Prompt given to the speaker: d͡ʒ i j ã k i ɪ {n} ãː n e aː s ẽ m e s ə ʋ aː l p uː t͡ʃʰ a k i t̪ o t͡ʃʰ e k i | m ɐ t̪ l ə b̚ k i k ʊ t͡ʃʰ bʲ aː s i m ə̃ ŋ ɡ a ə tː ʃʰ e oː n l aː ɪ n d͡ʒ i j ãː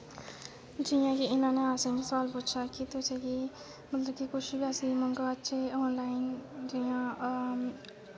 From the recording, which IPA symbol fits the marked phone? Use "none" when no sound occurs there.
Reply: n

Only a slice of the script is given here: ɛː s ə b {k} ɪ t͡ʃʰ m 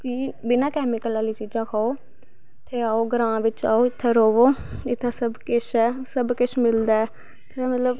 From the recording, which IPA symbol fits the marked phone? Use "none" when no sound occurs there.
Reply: k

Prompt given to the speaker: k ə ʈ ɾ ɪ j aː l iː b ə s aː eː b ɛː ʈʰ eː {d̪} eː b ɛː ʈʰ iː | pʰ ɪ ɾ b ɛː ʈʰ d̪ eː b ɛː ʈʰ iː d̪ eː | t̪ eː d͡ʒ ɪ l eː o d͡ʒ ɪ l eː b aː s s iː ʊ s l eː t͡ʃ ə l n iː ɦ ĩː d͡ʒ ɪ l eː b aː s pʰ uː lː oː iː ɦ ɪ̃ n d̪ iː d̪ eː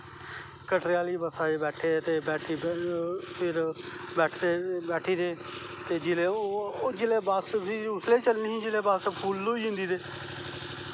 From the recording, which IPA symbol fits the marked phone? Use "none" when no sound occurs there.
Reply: t̪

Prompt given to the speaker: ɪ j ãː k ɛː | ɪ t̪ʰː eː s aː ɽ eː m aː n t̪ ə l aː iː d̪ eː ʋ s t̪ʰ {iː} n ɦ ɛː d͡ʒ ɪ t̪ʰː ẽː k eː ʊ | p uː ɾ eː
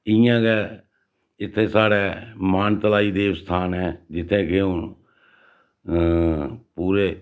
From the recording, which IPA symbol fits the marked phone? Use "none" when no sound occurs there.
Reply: aː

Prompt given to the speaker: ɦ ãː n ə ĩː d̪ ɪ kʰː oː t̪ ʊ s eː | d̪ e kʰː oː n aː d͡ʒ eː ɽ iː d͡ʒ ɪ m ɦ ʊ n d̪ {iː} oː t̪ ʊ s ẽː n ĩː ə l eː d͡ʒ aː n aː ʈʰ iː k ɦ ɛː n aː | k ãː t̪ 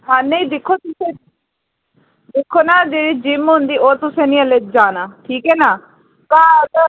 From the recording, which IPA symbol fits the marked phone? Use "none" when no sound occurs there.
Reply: iː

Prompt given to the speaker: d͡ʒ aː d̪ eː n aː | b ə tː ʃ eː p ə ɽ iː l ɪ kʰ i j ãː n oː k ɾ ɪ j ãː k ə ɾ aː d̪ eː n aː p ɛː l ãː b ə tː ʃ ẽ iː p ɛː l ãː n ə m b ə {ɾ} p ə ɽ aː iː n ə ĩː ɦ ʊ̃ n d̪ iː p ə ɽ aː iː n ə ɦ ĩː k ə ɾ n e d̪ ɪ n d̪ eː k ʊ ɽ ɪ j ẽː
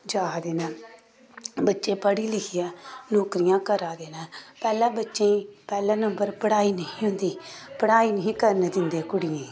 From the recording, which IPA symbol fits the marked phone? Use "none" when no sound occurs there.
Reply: ɾ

